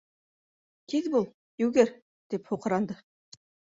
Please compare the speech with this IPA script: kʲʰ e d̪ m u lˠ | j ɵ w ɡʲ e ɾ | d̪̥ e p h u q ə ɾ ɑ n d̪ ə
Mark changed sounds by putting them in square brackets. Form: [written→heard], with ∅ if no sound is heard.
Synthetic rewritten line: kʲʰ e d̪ [m→b] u lˠ | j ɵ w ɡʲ e ɾ | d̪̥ e p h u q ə ɾ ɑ n d̪ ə